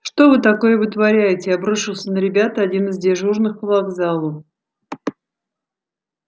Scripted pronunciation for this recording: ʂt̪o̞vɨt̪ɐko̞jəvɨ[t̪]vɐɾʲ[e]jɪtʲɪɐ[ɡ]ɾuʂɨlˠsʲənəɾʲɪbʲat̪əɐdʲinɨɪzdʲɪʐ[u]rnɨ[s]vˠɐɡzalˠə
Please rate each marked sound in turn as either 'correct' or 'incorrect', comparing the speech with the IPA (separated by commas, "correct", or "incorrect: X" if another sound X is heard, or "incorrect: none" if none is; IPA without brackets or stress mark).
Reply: correct, incorrect: æ, incorrect: b, correct, incorrect: x